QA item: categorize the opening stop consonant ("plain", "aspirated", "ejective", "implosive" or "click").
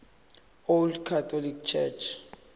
plain